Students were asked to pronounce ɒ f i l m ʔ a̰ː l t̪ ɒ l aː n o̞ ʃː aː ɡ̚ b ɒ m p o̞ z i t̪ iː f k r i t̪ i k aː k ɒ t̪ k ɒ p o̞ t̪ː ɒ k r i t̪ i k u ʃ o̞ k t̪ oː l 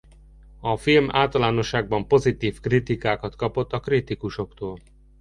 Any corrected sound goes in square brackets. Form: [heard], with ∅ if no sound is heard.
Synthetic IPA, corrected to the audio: ɒ f i l m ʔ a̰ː l t̪ ɒ l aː n o̞ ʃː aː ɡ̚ b ɒ m p o̞ z i t̪ iː f k r i t̪ i k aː k ɒ t̪ k ɒ p o̞ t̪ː ɒ k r i t̪ i k u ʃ o̞ k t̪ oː l